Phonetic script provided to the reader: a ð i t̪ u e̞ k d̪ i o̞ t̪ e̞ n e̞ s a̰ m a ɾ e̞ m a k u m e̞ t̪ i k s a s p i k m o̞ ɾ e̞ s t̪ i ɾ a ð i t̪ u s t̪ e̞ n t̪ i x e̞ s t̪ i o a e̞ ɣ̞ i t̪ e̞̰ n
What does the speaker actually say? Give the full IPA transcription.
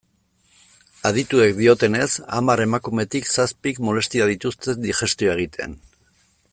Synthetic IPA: a ð i t̪ u e̞ k d̪ i o̞ t̪ e̞ n e̞ s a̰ m a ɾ e̞ m a k u m e̞ t̪ i k s a s p i k m o̞ l e̞ s t̪ i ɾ a ð i t̪ u s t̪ e̞ n d̪ i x e̞ s t̪ i o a e̞ ɣ̞ i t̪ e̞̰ n